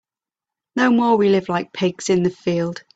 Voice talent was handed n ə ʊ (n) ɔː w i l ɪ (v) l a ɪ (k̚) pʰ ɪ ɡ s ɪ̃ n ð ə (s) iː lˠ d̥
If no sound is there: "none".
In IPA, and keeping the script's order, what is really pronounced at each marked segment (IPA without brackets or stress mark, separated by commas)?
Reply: m, v, k̚, f